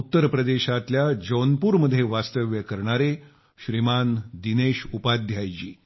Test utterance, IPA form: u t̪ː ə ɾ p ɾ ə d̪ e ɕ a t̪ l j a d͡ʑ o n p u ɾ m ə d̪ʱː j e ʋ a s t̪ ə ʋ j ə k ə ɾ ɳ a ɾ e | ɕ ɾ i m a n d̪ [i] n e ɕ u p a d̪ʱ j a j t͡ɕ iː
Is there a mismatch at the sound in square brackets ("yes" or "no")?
no